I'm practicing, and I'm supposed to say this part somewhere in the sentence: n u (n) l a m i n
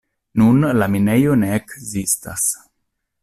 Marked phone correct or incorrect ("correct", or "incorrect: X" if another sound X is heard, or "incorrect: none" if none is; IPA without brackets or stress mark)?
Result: correct